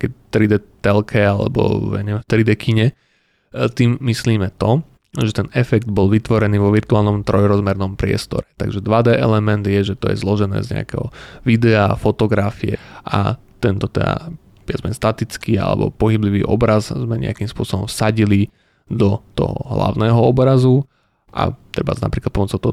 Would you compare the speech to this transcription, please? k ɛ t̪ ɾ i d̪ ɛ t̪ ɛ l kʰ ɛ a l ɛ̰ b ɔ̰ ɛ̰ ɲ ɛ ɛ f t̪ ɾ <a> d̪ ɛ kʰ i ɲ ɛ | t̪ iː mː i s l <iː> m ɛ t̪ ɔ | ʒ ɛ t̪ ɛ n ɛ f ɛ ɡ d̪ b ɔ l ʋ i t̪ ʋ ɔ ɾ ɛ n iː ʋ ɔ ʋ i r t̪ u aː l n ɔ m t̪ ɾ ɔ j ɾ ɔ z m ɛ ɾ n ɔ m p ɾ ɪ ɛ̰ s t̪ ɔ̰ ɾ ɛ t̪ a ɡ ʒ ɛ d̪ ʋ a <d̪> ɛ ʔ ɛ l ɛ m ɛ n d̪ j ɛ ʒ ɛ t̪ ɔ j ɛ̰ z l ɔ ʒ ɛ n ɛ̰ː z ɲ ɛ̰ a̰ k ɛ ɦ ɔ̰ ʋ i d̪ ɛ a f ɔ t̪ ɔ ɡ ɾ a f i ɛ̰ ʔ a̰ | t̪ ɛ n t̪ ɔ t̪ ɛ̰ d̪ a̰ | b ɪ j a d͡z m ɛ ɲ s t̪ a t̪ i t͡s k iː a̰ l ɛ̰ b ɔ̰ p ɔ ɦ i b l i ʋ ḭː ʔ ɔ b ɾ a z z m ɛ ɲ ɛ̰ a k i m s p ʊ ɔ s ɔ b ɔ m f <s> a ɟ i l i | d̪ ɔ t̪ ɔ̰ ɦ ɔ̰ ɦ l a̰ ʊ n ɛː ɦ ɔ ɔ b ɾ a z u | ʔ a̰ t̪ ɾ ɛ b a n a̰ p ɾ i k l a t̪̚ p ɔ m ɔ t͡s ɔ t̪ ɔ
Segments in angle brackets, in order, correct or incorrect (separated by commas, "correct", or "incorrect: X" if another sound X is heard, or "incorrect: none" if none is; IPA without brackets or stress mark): incorrect: i, correct, correct, correct